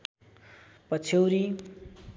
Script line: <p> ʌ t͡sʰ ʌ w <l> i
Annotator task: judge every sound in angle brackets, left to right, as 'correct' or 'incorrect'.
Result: correct, incorrect: ɾ

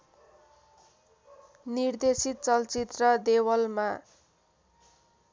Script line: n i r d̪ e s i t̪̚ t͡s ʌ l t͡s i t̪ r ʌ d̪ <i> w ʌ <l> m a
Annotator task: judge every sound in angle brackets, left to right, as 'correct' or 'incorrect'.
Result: incorrect: e, correct

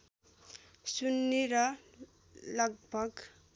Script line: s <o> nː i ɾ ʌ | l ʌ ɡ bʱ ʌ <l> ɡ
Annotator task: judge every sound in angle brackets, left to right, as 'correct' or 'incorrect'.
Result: incorrect: u, incorrect: none

